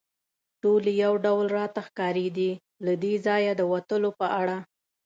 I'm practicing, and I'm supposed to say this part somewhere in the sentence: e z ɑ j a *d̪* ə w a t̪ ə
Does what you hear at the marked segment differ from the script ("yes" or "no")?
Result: no